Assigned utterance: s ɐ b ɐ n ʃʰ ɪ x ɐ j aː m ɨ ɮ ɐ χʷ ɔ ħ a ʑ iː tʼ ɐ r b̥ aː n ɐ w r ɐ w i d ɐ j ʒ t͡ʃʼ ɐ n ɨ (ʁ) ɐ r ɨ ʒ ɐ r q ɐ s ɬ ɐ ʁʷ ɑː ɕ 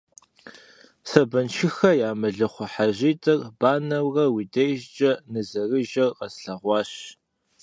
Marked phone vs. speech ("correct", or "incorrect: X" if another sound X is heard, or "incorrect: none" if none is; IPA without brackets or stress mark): incorrect: z